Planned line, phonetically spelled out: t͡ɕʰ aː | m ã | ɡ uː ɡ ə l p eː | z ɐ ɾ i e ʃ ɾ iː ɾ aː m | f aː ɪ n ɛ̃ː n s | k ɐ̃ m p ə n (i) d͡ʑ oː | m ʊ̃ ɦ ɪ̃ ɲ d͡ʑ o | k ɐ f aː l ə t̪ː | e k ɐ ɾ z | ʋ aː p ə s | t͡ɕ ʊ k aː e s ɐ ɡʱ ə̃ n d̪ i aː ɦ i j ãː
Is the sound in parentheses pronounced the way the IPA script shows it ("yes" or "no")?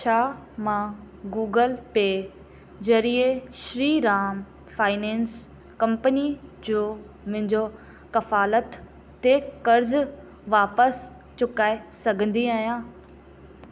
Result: yes